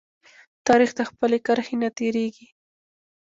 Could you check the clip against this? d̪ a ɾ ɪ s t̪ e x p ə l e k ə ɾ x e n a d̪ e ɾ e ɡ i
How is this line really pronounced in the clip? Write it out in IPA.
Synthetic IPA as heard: t̪ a ɾ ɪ x t̪ a x p ə l e k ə ɾ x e n a t̪ e ɾ e ɡ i